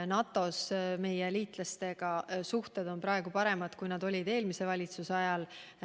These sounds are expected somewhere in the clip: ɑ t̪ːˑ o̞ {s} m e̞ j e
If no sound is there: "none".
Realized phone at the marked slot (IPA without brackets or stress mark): s